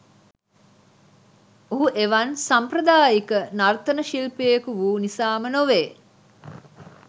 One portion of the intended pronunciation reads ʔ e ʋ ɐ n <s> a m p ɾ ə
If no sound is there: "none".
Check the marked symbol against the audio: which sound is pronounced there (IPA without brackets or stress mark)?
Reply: s